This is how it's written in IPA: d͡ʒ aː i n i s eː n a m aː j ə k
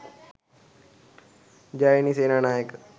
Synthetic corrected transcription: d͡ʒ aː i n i s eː n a n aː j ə k